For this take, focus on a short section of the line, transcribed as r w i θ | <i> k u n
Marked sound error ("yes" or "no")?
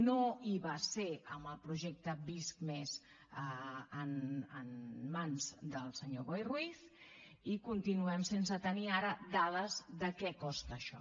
no